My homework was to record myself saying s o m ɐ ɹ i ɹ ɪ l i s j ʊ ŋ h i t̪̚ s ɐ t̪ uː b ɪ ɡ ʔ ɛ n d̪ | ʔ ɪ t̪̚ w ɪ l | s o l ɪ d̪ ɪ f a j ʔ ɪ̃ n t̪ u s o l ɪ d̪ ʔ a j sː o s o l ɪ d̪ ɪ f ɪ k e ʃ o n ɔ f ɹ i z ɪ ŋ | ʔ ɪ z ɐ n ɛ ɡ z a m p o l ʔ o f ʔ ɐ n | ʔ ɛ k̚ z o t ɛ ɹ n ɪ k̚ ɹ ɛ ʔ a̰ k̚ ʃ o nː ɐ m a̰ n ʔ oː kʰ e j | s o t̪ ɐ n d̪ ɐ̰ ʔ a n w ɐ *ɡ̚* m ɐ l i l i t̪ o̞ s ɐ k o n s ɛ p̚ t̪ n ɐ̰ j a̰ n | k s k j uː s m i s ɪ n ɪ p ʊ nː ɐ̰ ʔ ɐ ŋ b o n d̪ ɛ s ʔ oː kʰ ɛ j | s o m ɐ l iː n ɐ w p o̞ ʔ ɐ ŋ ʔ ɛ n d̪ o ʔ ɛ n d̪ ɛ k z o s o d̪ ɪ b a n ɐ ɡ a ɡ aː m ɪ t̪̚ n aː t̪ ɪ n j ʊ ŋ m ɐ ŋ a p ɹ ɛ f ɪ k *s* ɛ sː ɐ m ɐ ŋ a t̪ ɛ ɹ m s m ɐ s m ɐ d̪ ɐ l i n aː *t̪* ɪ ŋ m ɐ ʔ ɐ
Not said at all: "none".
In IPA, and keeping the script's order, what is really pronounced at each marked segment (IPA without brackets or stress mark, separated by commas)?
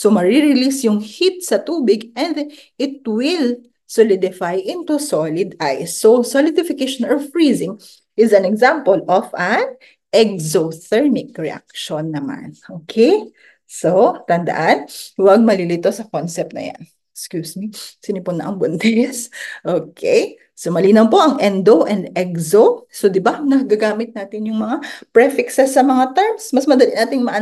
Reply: ɡ̚, s, t̪